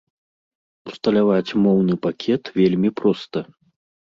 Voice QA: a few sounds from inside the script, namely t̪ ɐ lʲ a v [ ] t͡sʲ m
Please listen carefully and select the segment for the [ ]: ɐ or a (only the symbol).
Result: a